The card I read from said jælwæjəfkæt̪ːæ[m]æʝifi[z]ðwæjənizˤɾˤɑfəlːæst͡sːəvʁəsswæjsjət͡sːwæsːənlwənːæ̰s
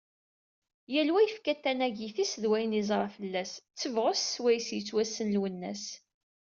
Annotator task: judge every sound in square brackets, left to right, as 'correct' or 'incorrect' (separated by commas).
incorrect, incorrect